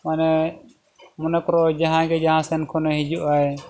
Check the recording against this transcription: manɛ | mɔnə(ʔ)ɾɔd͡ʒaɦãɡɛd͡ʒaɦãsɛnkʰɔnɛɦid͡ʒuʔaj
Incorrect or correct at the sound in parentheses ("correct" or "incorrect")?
incorrect